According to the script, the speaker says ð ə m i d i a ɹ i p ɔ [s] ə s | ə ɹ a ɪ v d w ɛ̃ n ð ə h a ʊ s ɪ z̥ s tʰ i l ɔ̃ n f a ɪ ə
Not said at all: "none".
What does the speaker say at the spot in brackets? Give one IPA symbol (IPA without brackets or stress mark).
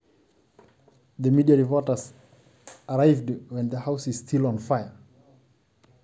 t